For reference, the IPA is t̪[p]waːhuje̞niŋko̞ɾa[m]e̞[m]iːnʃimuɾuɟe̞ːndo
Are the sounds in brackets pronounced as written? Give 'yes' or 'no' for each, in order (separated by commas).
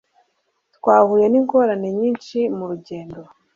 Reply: no, no, no